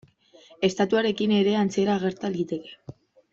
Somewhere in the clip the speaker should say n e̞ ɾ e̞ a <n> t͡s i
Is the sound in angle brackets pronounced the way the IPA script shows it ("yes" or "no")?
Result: yes